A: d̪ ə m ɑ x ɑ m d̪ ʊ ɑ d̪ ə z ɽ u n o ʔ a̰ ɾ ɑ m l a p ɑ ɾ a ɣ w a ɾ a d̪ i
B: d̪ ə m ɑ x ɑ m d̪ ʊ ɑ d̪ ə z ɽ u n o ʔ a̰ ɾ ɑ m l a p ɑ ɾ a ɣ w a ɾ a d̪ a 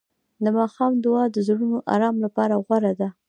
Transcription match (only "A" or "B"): B